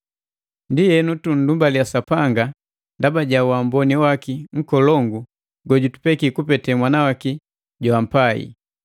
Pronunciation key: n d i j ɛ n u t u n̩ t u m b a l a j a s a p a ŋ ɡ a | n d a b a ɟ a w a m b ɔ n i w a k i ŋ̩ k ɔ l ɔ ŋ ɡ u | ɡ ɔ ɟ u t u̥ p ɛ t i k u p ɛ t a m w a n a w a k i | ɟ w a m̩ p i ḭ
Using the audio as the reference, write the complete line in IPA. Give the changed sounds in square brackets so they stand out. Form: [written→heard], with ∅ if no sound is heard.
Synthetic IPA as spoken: n d i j ɛ n u t u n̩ [t→d] u m b a l [a→i] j a s a p a ŋ ɡ a | n d a b a ɟ a w a m b ɔ n i w a k i ŋ̩ k ɔ l ɔ ŋ ɡ u | ɡ ɔ ɟ u t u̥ p ɛ [t→k] i k u p ɛ t [a→ɛ] m w a n a w a k i | ɟ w a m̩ p [i→a] ḭ